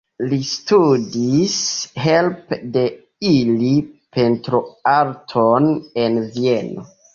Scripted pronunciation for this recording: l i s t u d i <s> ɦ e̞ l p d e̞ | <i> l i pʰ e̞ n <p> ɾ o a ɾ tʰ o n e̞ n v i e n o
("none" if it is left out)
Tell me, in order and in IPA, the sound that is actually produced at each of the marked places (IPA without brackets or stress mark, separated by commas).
s, i, t